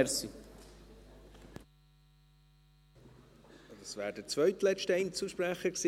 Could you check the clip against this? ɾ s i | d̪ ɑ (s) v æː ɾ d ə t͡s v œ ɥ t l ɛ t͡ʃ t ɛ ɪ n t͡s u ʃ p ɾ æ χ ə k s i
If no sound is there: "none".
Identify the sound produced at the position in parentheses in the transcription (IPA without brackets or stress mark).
s